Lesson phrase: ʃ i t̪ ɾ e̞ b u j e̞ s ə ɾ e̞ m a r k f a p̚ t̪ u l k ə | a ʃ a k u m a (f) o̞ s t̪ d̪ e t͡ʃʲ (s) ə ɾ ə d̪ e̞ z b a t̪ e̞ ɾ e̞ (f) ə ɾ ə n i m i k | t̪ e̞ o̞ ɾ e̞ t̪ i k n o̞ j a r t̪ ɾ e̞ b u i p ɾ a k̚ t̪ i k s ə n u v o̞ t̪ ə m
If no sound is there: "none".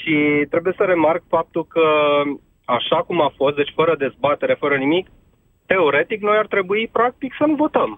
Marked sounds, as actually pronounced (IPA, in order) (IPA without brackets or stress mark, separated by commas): f, f, f